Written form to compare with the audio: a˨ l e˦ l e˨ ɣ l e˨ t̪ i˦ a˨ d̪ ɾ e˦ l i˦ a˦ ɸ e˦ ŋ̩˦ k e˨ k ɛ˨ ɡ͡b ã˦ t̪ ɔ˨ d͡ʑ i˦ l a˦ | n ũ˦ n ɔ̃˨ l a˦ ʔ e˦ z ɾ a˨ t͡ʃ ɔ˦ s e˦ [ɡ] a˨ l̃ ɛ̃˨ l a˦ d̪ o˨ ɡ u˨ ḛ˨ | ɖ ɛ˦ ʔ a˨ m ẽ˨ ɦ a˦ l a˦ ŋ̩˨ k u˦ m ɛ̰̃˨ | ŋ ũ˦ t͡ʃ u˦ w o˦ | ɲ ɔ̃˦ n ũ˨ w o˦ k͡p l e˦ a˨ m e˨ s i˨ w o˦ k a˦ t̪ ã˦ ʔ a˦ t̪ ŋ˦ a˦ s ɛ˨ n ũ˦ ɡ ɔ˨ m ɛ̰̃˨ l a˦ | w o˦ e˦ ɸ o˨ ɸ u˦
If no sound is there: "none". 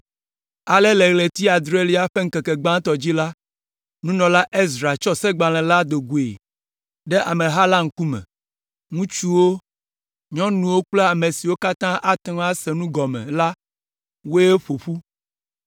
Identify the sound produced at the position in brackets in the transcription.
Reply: ɡ͡b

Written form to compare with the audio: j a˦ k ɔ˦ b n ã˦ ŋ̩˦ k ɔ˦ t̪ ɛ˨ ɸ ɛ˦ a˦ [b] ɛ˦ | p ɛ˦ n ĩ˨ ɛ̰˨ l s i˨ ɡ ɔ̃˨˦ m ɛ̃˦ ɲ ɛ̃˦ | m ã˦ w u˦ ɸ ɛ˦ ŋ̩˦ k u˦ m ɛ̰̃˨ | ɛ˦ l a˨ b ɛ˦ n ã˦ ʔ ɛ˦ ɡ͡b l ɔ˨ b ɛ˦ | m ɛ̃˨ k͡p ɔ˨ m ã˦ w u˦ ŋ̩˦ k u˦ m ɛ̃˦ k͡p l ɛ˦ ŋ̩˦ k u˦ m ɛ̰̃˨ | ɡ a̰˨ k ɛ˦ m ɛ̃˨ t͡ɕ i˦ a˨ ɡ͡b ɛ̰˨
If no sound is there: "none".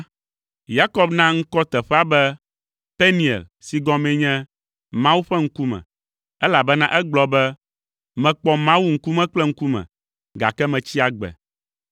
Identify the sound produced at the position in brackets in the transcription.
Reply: b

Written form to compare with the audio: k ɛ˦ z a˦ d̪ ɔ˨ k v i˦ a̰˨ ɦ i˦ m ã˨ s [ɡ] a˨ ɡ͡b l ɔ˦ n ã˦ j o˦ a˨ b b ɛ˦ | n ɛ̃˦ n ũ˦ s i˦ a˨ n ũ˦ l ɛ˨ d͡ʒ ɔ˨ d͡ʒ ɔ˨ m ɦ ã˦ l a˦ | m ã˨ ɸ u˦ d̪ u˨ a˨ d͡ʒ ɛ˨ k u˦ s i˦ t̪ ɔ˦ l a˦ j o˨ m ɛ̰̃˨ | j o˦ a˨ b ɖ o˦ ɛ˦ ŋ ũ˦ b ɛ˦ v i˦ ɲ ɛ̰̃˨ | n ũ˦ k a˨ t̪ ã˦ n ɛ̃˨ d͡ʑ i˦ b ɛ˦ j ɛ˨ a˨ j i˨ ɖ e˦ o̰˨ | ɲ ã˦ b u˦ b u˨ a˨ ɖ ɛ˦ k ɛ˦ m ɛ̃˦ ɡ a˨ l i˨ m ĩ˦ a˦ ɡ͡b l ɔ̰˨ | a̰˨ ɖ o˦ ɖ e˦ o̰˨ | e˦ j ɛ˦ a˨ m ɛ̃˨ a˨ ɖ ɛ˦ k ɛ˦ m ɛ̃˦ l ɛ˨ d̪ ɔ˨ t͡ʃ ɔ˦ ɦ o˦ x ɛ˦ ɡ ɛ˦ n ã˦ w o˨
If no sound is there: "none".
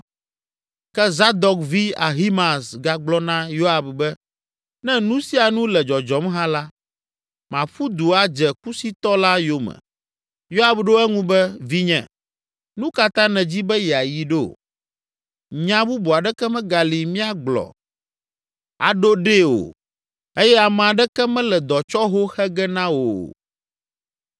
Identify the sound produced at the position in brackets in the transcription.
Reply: ɡ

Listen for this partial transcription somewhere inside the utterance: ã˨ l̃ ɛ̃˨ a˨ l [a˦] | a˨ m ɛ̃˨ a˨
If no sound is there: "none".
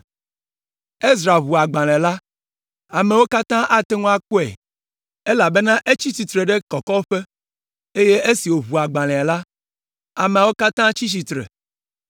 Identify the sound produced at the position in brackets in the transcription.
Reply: a˦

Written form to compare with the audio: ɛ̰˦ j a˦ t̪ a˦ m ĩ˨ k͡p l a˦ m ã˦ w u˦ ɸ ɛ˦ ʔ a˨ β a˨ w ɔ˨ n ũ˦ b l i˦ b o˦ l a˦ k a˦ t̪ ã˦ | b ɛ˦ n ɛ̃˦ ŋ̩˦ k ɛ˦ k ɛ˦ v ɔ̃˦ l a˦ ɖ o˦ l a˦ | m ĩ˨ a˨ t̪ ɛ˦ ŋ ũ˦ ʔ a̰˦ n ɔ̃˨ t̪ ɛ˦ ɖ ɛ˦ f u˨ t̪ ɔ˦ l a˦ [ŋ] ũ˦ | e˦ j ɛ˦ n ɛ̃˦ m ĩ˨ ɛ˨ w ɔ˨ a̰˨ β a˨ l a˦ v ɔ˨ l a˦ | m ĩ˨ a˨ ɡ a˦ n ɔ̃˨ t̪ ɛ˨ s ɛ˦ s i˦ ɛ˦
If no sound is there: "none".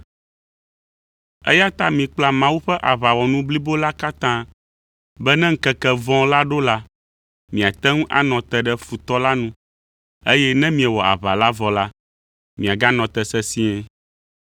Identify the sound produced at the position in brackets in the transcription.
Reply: n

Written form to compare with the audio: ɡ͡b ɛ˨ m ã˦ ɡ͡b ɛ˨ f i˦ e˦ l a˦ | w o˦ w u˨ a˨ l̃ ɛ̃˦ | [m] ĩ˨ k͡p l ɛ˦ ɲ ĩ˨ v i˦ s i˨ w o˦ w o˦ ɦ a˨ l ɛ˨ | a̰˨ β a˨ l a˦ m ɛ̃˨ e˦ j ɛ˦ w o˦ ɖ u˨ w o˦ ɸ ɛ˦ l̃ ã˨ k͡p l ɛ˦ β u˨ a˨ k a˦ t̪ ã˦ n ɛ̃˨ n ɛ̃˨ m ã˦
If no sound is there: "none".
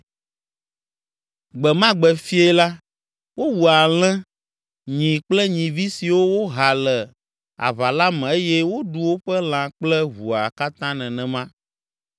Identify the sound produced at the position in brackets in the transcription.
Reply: ɲ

